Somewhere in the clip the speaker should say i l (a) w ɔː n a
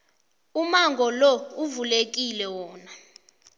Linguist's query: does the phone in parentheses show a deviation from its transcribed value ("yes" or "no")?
yes